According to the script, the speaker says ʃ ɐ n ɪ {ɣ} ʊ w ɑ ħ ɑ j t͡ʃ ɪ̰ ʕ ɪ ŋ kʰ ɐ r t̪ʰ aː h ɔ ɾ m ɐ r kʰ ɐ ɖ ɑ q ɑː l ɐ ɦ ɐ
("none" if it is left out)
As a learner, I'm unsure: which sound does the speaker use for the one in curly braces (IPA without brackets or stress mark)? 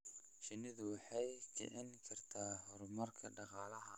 ð